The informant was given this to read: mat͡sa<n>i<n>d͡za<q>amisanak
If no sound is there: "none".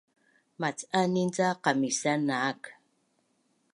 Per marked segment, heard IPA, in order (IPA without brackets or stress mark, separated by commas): n, n, q